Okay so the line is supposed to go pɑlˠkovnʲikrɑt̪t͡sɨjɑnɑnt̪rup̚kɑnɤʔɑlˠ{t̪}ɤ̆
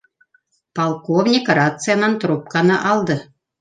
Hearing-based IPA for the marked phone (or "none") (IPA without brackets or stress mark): d̪